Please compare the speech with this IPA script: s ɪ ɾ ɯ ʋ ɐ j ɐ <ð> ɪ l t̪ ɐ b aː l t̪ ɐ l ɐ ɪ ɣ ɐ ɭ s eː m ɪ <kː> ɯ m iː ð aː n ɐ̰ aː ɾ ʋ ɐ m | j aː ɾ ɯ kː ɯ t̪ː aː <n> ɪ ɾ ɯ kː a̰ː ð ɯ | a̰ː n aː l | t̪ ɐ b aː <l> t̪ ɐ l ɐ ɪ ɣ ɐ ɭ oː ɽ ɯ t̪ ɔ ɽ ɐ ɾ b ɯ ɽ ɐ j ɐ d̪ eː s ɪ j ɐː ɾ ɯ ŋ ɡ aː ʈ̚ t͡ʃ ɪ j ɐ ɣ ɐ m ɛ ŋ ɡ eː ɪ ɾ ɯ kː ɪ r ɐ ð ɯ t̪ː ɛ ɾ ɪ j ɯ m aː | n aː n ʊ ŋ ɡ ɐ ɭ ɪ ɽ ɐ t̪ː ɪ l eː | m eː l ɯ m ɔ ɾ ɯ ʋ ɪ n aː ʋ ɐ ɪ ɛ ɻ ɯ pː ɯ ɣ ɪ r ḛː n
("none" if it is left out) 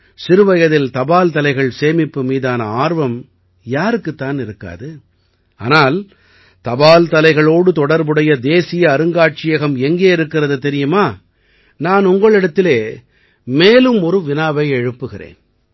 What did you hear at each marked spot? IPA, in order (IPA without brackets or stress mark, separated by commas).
ð, pː, n, l